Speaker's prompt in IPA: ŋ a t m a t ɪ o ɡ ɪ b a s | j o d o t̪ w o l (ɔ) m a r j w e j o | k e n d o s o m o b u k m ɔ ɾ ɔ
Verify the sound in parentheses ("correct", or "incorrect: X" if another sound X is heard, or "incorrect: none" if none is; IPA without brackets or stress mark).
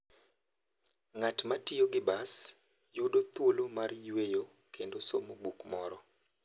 incorrect: o